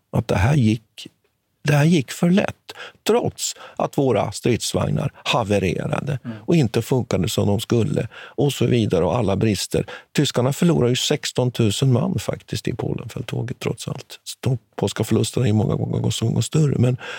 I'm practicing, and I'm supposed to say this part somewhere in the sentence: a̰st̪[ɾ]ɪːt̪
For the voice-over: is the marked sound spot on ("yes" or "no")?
yes